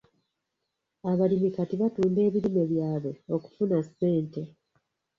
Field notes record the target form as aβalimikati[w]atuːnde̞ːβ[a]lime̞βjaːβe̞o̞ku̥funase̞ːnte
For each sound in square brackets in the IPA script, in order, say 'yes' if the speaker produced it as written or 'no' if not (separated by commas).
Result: no, no